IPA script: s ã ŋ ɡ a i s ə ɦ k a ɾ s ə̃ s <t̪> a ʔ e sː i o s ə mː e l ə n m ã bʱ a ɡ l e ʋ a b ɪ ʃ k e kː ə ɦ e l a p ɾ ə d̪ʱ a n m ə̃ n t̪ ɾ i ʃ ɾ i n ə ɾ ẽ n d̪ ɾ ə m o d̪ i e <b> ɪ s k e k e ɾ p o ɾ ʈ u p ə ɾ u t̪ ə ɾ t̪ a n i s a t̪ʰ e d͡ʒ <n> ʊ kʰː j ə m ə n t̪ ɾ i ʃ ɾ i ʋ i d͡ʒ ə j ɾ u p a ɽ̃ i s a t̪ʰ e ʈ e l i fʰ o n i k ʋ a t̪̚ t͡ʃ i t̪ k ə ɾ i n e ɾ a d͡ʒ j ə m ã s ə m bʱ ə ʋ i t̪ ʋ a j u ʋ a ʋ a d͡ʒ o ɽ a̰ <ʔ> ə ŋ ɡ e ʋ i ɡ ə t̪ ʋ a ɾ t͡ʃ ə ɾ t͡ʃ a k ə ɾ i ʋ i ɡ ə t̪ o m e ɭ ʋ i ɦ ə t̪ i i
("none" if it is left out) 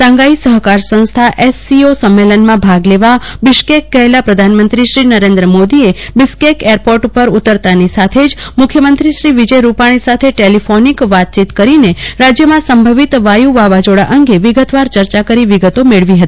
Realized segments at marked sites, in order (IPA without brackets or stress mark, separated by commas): t̪ʰ, b, m, ʔ